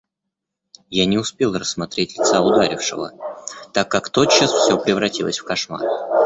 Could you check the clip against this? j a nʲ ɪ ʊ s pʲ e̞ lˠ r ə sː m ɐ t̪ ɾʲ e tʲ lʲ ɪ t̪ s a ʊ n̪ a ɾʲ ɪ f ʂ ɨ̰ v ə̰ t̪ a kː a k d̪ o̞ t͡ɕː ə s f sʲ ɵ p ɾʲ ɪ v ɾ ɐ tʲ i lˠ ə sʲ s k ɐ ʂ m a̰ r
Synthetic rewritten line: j a nʲ ɪ ʊ s pʲ e̞ lˠ r ə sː m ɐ t̪ ɾʲ e tʲ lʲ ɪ t̪ s a ʊ d̪ a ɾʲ ɪ f ʂ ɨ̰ v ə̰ t̪ a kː a k t̪ o̞ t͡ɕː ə s f sʲ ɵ p ɾʲ ɪ v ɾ ɐ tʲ i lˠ ə sʲ f k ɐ ʂ m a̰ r